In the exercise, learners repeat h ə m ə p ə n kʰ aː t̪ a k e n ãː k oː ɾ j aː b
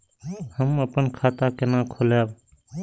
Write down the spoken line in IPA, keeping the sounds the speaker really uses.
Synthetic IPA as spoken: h ə m ə p ə n kʰ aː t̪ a k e n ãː kʰ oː l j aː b